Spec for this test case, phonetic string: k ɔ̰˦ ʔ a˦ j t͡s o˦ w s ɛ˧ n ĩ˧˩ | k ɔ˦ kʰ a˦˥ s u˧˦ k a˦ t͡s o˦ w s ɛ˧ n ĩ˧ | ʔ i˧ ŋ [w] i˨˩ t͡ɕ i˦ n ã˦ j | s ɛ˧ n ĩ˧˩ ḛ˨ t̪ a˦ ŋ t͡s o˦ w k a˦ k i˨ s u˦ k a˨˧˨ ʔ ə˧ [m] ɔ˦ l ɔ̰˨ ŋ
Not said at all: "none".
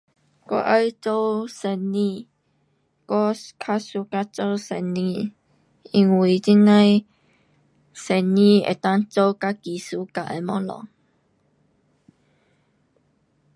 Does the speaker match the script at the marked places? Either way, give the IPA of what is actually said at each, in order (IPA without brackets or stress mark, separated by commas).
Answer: w, m